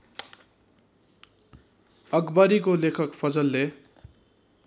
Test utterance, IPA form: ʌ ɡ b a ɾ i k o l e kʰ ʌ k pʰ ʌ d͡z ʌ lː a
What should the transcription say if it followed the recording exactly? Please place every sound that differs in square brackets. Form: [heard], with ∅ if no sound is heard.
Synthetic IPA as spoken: ʌ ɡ b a ɾ i k o l e kʰ ʌ k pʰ ʌ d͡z ʌ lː [e]

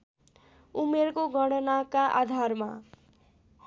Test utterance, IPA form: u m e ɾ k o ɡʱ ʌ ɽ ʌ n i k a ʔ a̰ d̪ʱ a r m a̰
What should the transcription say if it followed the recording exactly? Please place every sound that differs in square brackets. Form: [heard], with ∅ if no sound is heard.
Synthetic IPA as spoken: u m e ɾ k o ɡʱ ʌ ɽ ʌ n [a] k a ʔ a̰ d̪ʱ a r m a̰

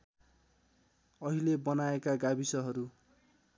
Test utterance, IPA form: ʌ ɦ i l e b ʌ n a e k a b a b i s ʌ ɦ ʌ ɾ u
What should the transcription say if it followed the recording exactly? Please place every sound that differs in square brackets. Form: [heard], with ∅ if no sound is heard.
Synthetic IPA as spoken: ʌ ɦ i l e b ʌ n a e k a [ɡ] a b i s ʌ ɦ ʌ ɾ u

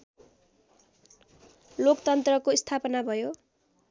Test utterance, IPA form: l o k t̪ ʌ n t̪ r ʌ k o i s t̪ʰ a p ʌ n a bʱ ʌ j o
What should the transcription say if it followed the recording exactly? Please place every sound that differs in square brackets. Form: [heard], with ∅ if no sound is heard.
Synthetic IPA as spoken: l o k t̪ ʌ n t̪ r ʌ k o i s t̪ʰ a p ʌ n a bʱ ʌ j o

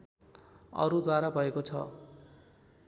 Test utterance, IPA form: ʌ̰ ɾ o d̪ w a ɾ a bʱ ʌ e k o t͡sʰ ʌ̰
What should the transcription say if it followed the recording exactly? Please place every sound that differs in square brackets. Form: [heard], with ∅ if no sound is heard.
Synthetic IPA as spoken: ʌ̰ ɾ [u] d̪ w a ɾ a bʱ ʌ e k o t͡sʰ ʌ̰

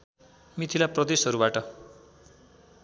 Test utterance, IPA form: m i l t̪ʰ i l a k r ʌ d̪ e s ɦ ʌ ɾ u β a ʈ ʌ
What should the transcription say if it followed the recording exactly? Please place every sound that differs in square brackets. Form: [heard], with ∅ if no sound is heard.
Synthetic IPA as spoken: m i [∅] t̪ʰ i l a [p] r ʌ d̪ e s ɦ ʌ ɾ u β a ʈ ʌ

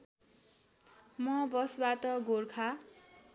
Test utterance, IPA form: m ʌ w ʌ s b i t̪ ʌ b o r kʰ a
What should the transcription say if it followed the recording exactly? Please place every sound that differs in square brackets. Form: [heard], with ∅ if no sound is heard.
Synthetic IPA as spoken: m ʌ [b] ʌ s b [a] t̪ ʌ [ɡ] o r kʰ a

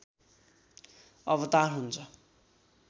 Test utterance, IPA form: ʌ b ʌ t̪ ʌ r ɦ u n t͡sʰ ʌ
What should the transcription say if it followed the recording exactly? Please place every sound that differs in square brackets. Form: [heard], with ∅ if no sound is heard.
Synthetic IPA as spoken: ʌ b ʌ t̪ [a] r ɦ u n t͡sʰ ʌ

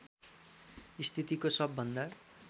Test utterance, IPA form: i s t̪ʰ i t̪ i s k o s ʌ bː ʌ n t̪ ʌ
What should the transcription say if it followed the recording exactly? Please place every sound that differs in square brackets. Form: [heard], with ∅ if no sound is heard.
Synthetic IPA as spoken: i s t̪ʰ i t̪ i [∅] k o s ʌ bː ʌ n [d̪] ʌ

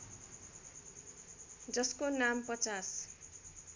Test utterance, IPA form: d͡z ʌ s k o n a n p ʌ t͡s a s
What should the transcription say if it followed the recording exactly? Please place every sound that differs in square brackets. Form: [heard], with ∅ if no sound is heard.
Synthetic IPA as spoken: d͡z ʌ s k o n a [m] p ʌ t͡s a s

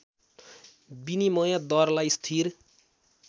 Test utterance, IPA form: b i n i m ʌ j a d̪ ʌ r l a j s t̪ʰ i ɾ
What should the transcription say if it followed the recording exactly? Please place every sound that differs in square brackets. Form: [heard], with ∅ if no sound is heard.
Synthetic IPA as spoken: b i n i m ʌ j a d̪ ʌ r l a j s t̪ʰ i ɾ

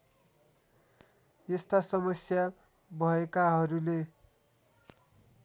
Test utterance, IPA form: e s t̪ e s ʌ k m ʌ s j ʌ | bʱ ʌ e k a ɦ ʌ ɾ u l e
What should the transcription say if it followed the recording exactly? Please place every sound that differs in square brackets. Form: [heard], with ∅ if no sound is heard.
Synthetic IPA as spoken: e s t̪ [a] s ʌ [∅] m ʌ s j [a] | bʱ ʌ e k a ɦ ʌ ɾ u l e

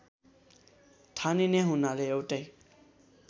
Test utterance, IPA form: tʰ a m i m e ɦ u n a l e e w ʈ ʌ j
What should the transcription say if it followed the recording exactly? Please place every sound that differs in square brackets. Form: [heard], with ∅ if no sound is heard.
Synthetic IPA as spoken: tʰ a [n] i [n] e ɦ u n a l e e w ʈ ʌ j

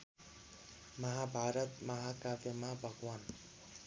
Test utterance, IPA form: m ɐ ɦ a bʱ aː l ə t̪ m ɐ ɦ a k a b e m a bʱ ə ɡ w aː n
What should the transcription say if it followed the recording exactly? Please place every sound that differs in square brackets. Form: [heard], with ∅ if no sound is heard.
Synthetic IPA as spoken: m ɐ ɦ a bʱ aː [ɾ] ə t̪ m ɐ ɦ a k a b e m a bʱ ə ɡ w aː n

